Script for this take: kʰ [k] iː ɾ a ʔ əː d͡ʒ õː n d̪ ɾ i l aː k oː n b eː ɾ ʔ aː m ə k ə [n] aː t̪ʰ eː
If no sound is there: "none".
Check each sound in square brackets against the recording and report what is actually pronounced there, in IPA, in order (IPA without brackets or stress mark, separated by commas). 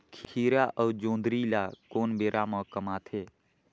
kʰ, m